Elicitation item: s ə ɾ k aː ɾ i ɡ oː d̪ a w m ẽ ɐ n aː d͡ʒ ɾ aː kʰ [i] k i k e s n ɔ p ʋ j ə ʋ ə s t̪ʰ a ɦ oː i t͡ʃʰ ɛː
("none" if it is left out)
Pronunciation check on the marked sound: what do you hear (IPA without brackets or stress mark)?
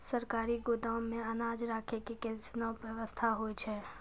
e